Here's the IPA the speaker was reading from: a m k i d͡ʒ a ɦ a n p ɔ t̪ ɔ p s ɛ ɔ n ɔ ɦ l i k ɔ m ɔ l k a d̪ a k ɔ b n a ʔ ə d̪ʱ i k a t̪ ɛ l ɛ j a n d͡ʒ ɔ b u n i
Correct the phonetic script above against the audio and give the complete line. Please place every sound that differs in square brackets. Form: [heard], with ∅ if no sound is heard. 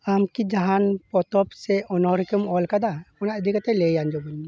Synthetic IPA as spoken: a m k i d͡ʒ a ɦ a n p ɔ t̪ ɔ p s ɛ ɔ n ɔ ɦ [ɾ] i k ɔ m ɔ l k a d̪ a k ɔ [∅] n a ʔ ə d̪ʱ i k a t̪ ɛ l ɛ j a n d͡ʒ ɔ b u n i